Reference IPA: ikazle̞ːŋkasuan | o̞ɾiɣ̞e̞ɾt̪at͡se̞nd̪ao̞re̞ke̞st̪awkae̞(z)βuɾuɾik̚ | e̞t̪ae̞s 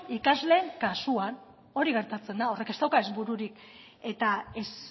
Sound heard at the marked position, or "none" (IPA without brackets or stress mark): z